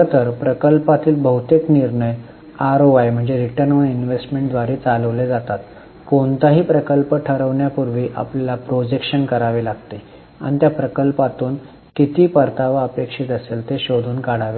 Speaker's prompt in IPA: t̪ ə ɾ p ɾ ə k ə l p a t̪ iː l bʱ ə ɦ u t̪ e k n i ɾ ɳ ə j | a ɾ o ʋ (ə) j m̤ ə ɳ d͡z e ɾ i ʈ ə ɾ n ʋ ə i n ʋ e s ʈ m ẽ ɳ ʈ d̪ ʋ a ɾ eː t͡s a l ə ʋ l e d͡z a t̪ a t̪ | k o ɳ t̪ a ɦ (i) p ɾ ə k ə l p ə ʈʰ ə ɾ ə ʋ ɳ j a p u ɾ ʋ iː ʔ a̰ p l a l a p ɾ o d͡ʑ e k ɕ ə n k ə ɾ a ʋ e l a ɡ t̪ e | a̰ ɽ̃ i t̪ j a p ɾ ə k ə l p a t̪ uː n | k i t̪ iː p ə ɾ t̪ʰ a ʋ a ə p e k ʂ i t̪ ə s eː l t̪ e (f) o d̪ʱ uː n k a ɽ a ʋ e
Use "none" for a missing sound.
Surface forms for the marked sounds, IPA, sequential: a, iː, ɕ

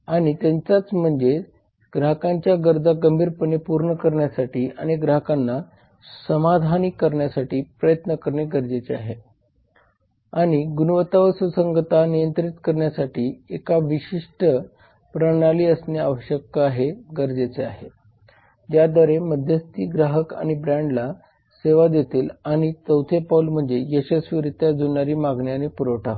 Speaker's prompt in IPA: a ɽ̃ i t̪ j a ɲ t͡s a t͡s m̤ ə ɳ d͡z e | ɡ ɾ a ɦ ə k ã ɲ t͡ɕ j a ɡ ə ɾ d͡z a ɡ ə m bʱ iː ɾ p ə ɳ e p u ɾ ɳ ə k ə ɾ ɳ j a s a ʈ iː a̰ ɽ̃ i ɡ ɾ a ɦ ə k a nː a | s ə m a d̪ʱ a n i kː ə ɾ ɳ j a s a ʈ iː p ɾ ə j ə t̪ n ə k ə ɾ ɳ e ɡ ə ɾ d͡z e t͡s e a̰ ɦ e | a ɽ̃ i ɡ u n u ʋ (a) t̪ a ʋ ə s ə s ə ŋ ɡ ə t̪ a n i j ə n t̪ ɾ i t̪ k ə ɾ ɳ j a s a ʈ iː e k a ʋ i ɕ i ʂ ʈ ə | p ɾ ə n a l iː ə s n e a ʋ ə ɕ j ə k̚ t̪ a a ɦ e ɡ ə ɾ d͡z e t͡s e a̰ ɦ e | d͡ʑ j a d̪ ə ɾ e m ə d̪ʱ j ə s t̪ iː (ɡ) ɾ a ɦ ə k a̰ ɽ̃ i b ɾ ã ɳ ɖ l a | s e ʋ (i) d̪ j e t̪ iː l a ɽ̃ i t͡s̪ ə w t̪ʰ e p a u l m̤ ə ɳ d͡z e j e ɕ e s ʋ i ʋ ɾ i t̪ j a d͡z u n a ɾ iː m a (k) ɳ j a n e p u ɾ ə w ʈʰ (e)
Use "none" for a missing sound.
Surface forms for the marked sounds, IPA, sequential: ə, ɡ, a, ɡ, a

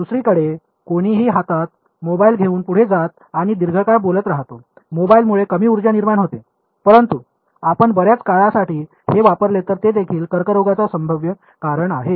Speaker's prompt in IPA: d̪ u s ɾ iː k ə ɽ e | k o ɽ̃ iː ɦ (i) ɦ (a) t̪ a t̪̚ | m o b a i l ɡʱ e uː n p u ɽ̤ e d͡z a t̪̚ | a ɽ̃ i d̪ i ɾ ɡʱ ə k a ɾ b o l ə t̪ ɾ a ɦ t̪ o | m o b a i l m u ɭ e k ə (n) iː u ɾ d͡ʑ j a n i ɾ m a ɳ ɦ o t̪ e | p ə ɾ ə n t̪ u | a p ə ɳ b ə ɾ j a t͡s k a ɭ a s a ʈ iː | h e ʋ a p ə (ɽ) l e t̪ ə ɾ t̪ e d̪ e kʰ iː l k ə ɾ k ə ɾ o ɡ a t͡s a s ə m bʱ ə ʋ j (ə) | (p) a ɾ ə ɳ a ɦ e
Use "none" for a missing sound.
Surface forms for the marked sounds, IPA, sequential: iː, a, m, ɾ, ə, k

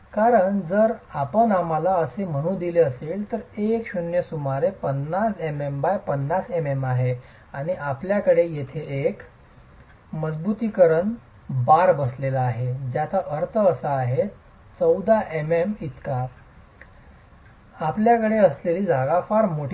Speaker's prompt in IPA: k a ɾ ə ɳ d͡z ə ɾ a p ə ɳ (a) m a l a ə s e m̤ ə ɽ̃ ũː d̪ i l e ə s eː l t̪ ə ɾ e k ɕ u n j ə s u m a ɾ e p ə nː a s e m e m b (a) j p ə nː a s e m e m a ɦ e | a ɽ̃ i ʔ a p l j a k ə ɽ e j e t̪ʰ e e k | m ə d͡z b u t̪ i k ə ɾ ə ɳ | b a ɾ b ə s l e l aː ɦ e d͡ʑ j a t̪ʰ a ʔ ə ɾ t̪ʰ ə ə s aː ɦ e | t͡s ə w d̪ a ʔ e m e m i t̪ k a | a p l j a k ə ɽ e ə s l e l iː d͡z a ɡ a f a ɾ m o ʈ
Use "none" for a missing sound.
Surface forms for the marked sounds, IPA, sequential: a, a

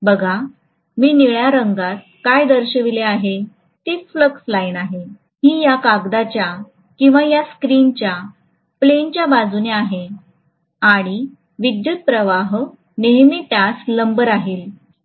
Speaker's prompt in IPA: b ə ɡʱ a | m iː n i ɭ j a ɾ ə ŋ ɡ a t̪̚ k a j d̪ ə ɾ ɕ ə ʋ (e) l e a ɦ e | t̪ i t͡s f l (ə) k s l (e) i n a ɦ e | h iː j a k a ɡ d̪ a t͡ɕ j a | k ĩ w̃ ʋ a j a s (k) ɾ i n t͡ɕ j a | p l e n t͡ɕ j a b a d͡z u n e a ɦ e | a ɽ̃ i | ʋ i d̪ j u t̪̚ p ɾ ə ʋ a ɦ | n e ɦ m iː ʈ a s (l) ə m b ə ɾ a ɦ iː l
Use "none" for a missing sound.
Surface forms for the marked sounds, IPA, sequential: i, ə, a, k, l

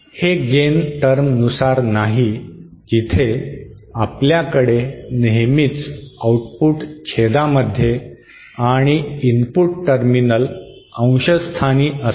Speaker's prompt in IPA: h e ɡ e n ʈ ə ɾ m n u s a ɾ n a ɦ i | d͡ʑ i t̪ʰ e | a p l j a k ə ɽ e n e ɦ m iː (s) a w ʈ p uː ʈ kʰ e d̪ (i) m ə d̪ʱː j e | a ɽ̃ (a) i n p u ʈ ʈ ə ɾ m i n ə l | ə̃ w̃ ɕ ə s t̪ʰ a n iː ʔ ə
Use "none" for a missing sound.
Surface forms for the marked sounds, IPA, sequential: t͡s, a, i

